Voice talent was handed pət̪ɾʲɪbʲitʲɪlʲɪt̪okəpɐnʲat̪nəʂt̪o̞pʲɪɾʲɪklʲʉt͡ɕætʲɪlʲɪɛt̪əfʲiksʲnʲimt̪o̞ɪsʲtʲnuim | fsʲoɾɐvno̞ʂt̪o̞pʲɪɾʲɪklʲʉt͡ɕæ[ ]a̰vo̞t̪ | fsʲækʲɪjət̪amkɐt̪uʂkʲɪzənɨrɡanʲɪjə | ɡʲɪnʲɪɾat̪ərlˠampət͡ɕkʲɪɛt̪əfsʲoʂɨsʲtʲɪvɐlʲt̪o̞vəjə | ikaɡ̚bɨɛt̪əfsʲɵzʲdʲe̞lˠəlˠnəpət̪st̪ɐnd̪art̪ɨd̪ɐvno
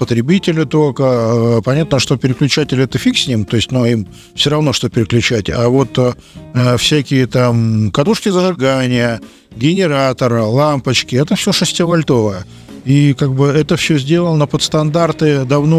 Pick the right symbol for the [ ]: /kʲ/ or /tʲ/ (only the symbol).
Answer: tʲ